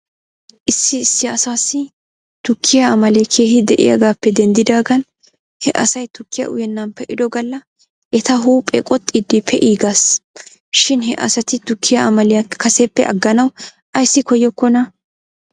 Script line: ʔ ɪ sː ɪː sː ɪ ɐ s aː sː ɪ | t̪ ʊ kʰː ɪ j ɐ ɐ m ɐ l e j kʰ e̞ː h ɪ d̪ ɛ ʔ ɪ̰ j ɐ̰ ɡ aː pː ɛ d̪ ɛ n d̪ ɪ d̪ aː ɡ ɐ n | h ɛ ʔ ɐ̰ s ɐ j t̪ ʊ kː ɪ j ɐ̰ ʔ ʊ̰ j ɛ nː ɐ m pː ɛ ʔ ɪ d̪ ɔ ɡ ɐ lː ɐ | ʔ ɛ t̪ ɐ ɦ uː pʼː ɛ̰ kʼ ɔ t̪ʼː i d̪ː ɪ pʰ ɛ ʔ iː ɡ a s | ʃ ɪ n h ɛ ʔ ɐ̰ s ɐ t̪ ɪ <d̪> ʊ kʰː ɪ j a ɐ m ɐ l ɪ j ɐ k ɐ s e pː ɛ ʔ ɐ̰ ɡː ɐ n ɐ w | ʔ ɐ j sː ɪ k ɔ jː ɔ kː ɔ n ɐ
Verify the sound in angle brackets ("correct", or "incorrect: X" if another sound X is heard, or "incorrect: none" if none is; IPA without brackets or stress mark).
incorrect: t̪